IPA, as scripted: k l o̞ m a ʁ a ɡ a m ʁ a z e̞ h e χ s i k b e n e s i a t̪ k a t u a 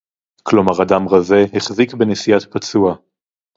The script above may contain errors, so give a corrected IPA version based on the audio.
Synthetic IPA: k l o̞ m a ʁ a d a m ʁ a z e̞ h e χ z i k b e n e s i a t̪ p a t͡s u a